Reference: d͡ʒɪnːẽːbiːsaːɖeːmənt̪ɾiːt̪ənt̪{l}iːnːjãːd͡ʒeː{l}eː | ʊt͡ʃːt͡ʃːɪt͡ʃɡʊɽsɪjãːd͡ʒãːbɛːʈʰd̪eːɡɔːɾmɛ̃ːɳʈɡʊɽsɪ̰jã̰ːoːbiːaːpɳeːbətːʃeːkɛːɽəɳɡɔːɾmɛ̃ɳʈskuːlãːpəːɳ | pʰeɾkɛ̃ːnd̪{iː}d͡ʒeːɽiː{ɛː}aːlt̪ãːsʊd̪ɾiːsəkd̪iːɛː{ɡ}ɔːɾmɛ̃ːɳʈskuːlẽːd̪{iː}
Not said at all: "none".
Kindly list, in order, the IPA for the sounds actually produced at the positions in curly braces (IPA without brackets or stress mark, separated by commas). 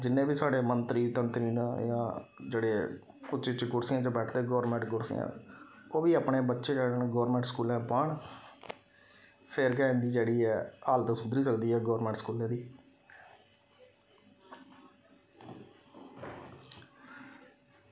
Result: ɾ, ɽ, iː, ɛː, ɡ, iː